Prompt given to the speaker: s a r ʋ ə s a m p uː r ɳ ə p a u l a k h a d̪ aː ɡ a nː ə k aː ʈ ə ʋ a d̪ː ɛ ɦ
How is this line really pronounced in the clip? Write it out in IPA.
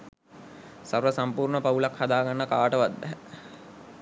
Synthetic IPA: s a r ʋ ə s a m p uː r ɳ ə p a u l a k h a d̪ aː ɡ a nː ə k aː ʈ ə ʋ a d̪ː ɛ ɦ